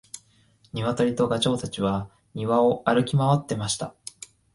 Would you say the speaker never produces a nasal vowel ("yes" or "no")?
yes